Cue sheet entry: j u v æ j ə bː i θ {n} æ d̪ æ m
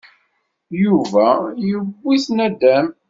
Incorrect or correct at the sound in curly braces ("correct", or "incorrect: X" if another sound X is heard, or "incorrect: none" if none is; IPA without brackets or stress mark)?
correct